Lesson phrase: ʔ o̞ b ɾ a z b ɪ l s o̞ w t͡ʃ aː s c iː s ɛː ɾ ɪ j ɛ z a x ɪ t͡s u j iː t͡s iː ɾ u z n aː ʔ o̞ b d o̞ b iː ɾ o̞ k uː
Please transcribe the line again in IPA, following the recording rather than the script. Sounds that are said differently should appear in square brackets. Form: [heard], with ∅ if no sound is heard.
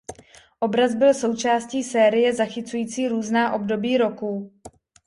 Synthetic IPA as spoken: ʔ o̞ b ɾ a z b ɪ l s o̞ w t͡ʃ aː s c iː s ɛː ɾ ɪ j ɛ z a x ɪ t͡s u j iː t͡s iː ɾ [uː] z n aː ʔ o̞ b d o̞ b iː ɾ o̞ k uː